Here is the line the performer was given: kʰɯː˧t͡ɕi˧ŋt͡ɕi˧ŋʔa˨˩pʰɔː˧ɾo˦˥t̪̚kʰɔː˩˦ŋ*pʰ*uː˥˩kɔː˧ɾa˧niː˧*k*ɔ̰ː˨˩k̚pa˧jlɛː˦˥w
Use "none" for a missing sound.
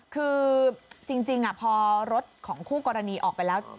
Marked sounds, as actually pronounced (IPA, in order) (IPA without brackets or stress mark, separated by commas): kʰ, ʔ